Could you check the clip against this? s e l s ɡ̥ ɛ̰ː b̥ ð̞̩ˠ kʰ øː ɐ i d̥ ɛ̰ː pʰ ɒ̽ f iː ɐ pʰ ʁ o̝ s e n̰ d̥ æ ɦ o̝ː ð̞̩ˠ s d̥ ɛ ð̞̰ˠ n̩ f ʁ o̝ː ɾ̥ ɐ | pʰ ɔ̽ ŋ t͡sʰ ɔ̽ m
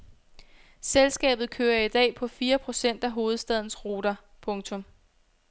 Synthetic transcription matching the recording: s e l s ɡ̥ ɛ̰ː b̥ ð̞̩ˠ kʰ øː ɐ i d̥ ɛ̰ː pʰ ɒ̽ f iː ɐ pʰ ʁ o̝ s e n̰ d̥ æ ɦ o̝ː ð̞̩ˠ s d̥ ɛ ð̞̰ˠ n̩ s ʁ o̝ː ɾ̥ ɐ | pʰ ɔ̽ ŋ t͡sʰ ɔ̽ m